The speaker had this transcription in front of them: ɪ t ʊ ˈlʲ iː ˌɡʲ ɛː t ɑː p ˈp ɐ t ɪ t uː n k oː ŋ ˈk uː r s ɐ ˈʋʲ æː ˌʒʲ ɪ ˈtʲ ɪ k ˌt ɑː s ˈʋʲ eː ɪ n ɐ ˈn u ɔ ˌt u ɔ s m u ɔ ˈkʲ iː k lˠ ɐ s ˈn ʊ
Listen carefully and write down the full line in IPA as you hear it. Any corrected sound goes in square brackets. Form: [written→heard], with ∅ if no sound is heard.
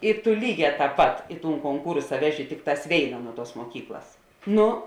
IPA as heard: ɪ t ʊ ˈlʲ iː ˌɡʲ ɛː t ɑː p ˈp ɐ t ɪ t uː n k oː ŋ ˈk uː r s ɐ ˈʋʲ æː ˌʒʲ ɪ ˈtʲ ɪ k ˌt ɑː s ˈʋʲ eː ɪ n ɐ ˈn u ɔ ˌt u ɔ s m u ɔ ˈkʲ iː k lˠ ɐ s ˈn ʊ